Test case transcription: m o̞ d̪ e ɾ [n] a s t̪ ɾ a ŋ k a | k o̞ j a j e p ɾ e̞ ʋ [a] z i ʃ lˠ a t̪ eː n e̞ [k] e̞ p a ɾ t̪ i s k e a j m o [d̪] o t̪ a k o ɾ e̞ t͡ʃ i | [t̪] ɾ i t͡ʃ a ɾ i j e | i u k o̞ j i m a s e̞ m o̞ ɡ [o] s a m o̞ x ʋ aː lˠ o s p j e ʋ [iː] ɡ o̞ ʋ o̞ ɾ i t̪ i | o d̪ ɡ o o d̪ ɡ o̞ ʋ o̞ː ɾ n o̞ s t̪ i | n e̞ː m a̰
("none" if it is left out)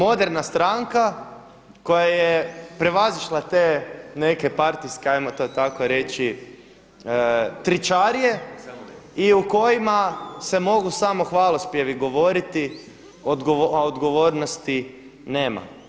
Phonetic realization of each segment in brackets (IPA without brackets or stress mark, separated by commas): n, a, k, t̪, t̪, u, i